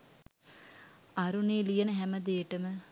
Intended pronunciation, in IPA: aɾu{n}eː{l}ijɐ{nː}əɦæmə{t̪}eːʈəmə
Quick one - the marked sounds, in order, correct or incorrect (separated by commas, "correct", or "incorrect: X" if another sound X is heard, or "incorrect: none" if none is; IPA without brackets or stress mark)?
correct, correct, incorrect: n, incorrect: d̪